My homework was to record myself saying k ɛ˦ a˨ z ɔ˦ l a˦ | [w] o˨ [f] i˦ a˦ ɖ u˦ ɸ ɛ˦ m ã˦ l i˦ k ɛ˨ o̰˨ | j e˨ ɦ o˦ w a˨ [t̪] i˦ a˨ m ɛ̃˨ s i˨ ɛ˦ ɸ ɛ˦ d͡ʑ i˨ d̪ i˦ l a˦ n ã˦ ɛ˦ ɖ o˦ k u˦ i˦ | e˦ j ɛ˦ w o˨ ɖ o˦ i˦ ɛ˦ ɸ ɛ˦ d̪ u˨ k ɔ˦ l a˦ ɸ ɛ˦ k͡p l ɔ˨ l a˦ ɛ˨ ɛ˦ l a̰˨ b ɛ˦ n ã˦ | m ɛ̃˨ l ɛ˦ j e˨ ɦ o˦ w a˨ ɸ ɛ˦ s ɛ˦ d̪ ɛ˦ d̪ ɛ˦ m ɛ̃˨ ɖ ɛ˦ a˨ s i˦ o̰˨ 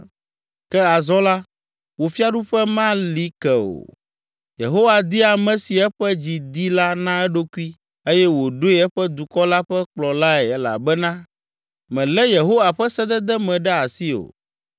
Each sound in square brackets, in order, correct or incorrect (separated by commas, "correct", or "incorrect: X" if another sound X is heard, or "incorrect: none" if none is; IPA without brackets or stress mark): correct, correct, incorrect: d̪